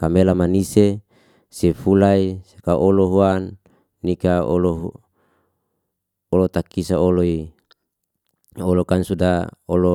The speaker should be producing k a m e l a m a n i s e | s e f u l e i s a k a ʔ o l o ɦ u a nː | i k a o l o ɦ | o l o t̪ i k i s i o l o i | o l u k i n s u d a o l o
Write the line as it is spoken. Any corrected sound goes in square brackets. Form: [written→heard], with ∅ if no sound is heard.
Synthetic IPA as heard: k a m e l a m a n i s e | s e f u l [e→a] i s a k a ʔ o l o ɦ u a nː | i k a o l o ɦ | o l o t̪ [i→a] k i s [i→a] o l o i | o l [u→o] k [i→a] n s u d a o l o

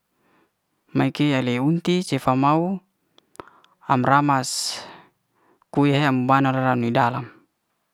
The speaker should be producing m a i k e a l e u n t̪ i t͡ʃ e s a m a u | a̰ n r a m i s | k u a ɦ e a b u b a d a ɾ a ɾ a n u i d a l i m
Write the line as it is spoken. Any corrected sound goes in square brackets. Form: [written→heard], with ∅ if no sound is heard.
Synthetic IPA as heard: m a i k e a l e u n t̪ i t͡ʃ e [s→f] a m a u | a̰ [n→m] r a m [i→a] s | k u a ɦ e a [b→m] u b a [d→n] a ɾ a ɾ a n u i d a l [i→a] m

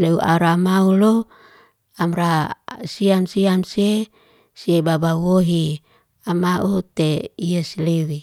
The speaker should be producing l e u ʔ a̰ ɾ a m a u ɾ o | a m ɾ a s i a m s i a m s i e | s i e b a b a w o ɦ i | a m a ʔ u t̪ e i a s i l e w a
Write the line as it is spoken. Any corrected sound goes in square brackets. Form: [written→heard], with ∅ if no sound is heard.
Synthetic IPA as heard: l e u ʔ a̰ ɾ a m a u [ɾ→l] o | a m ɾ a s i a m s i a m s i e | s i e b a b a w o ɦ i | a m a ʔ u t̪ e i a s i l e w [a→i]

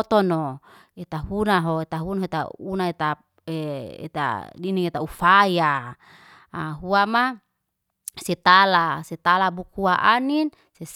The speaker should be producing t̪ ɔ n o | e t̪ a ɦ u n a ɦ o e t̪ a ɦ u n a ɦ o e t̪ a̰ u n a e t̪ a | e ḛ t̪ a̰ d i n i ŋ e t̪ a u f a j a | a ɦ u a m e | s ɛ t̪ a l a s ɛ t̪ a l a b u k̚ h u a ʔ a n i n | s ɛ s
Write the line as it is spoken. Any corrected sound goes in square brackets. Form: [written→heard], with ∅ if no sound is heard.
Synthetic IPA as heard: t̪ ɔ n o | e t̪ a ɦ u n a ɦ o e t̪ a ɦ u n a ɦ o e t̪ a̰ u n a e t̪ a | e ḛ t̪ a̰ d i n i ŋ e t̪ a u f a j a | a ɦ u a m [e→a] | s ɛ t̪ a l a s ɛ t̪ a l a b u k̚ h u a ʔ a n i n | s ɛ s

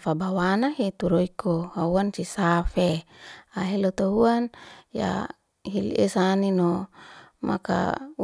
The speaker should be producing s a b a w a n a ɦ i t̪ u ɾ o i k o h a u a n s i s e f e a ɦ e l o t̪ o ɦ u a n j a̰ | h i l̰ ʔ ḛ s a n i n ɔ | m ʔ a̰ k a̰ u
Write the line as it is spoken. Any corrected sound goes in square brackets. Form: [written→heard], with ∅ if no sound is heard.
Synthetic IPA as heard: [s→f] a b a w a n a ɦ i t̪ u ɾ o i k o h a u a n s i s [e→a] f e a ɦ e l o t̪ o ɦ u a n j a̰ | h i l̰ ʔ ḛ s a n i n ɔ | m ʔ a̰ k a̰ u

